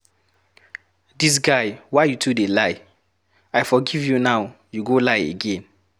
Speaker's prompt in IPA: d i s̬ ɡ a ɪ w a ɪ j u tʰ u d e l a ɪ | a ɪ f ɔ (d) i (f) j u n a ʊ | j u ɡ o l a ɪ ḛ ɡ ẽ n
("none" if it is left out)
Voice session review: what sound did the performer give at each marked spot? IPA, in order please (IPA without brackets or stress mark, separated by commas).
ɡ, v